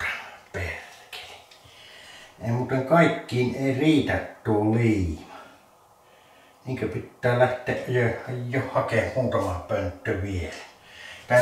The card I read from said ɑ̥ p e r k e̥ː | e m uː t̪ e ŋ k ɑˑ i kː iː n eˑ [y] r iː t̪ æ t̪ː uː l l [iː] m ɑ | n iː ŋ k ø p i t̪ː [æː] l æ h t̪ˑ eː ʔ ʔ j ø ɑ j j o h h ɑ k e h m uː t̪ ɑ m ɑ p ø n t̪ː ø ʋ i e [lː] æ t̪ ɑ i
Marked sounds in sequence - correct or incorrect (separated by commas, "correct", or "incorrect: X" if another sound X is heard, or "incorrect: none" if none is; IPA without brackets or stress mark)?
incorrect: i, correct, correct, incorrect: l